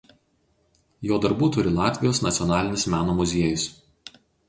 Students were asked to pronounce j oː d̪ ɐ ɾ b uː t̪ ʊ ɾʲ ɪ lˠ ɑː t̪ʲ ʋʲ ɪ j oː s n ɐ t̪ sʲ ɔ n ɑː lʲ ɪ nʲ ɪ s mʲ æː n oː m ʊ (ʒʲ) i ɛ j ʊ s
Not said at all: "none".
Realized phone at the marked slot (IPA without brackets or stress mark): zʲ